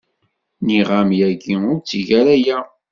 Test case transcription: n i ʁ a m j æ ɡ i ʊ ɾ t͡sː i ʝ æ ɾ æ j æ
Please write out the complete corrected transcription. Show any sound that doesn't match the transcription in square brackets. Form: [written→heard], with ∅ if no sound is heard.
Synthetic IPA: n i ʁ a m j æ ɡ i ʊ ɾ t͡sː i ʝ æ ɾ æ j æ